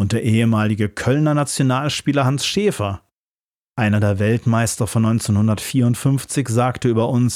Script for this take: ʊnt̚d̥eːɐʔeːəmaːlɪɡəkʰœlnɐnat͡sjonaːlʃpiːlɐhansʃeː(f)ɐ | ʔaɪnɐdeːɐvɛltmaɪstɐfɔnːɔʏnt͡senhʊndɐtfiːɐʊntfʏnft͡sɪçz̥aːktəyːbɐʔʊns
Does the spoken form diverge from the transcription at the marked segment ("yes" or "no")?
no